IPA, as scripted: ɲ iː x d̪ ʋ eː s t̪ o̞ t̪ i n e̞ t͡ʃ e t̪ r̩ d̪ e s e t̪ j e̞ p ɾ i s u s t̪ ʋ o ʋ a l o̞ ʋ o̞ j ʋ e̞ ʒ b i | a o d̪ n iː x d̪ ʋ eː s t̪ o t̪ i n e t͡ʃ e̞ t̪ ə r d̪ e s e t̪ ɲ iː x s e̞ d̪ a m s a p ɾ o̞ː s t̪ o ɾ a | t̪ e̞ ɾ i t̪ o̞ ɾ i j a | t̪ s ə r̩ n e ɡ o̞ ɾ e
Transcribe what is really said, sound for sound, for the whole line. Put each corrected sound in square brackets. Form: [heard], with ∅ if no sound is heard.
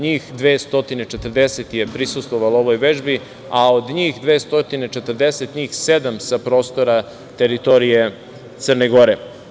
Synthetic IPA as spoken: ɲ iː x d̪ ʋ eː s t̪ o̞ t̪ i n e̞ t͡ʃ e t̪ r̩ d̪ e s e t̪ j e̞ p ɾ i s u s t̪ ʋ o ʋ a l o̞ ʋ o̞ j ʋ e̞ ʒ b i | a o d̪ [ɲ] iː x d̪ ʋ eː s t̪ o t̪ i n e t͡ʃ e̞ t̪ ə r d̪ e s e t̪ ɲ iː x s e̞ d̪ a m s a p ɾ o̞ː s t̪ o ɾ a | t̪ e̞ ɾ i t̪ o̞ ɾ i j [e] | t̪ s ə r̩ n e ɡ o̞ ɾ e